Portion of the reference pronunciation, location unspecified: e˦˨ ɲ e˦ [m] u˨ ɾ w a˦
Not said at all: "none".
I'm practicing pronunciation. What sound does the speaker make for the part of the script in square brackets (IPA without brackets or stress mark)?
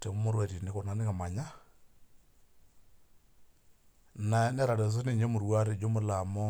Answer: m